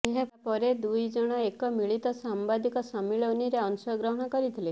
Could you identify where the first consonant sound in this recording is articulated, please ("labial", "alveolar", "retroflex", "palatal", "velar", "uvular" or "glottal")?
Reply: glottal